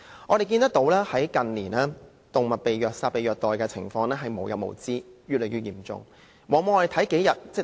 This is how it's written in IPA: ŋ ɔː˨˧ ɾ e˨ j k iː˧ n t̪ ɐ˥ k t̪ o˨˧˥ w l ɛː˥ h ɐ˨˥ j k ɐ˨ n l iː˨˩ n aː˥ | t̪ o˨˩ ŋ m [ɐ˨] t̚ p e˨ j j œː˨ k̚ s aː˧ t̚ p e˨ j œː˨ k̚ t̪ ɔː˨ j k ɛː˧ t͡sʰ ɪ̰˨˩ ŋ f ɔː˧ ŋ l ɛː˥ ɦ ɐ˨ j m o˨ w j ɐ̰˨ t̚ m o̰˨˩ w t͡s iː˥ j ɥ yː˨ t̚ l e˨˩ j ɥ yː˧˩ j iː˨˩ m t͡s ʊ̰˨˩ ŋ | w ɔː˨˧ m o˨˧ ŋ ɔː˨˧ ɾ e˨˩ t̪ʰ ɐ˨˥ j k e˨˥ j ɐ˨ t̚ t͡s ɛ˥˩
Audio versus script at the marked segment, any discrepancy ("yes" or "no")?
no